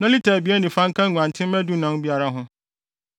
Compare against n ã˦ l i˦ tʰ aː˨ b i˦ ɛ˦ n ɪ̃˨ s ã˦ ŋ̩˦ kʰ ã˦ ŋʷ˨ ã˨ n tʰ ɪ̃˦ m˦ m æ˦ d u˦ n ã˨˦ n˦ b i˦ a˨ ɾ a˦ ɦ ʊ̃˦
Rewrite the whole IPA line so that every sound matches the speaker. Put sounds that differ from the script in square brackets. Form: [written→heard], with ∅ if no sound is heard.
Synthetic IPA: n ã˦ l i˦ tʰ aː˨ b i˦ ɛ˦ n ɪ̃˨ [s→f] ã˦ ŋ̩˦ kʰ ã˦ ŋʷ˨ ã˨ n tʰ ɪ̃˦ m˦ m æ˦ d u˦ n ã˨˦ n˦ b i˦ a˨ ɾ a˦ ɦ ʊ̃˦